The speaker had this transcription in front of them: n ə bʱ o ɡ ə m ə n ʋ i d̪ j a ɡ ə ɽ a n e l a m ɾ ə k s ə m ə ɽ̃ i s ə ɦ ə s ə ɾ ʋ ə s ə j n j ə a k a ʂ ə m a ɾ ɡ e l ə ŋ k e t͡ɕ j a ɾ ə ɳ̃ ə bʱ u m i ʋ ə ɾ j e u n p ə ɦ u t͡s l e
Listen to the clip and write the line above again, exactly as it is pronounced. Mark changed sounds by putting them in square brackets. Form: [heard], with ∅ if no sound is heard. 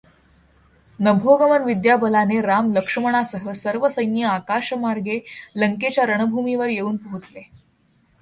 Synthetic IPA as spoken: n ə bʱ o ɡ ə m ə n ʋ i d̪ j a [b] ə [l] a n e [ɾ] a m [l] ə k [ʂ] ə m ə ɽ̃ [a] s ə ɦ ə s ə ɾ ʋ ə s ə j n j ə a k a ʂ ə m a ɾ ɡ e l ə ŋ k e t͡ɕ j a ɾ ə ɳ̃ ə bʱ u m i ʋ ə ɾ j e [uː] n p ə ɦ u t͡s l e